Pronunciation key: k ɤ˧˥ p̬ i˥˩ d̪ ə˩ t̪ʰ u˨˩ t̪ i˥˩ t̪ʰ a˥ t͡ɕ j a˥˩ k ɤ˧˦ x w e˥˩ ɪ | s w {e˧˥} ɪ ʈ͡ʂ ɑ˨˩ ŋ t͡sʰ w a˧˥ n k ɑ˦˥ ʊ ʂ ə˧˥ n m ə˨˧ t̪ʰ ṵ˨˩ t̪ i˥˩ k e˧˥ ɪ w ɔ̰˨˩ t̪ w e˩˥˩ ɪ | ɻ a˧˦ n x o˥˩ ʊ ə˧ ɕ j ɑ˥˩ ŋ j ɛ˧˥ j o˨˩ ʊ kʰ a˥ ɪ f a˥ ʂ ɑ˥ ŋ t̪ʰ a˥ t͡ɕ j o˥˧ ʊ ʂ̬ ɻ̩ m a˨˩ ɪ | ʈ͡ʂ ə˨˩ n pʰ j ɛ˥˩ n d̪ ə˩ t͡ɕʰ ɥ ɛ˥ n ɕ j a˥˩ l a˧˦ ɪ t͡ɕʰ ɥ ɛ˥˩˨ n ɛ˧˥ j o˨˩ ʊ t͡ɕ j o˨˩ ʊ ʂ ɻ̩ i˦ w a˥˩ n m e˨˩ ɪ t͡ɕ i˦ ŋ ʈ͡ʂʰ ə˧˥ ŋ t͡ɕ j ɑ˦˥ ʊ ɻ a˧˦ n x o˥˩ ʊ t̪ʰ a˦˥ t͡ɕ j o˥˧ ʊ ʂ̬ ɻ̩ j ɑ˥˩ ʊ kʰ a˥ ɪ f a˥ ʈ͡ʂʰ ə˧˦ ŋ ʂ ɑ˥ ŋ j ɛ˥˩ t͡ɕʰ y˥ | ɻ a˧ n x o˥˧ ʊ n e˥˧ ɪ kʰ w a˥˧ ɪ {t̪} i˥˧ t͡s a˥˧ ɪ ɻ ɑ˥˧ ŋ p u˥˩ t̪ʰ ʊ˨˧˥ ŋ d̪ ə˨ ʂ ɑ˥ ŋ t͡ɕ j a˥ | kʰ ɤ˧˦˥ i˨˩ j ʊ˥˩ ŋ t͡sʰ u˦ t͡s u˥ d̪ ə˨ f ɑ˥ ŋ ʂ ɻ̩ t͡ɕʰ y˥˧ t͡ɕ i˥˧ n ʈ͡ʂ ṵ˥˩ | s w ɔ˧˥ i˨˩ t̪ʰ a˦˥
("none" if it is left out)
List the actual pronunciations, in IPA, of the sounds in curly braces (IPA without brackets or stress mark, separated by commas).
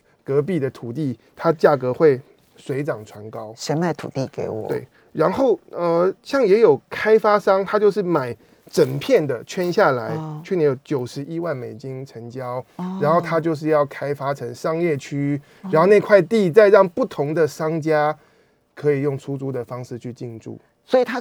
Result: e˧˥, t̪